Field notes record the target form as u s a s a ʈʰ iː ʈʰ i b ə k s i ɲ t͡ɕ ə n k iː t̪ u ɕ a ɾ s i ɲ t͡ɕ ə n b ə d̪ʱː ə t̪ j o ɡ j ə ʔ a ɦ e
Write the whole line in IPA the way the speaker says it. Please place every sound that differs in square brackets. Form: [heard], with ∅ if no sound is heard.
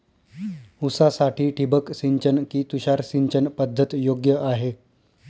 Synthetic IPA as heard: u s a s a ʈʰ iː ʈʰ i b ə k s i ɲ t͡ɕ ə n k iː t̪ u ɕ a ɾ s i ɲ t͡ɕ ə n [p] ə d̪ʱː ə t̪ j o ɡ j ə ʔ a ɦ e